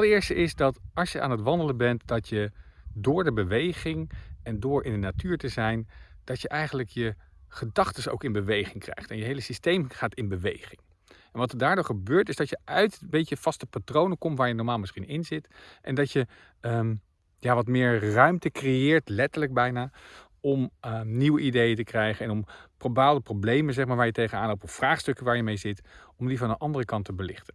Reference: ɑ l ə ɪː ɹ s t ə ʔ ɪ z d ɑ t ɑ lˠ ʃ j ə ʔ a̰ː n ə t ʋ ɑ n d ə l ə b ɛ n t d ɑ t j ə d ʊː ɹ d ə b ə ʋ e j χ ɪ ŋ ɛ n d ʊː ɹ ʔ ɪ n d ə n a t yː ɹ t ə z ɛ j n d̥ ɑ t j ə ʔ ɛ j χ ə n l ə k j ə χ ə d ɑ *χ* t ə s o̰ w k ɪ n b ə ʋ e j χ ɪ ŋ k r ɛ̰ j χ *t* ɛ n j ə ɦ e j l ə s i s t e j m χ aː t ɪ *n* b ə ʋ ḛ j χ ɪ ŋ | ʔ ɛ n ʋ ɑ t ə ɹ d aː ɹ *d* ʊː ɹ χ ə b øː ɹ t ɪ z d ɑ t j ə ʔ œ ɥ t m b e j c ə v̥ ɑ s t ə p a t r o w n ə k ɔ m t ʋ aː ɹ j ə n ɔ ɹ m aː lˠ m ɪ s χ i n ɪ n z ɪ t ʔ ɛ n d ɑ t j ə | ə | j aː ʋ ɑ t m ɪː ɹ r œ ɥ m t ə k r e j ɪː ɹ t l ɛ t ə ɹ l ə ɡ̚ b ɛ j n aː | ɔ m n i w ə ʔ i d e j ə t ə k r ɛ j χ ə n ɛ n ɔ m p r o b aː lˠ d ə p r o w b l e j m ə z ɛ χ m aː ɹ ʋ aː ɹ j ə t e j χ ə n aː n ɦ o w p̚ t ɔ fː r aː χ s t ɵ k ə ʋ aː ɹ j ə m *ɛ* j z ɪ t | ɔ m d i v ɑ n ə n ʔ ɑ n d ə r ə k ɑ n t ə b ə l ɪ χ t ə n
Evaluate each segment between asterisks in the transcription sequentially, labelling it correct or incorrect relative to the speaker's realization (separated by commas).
correct, correct, correct, correct, incorrect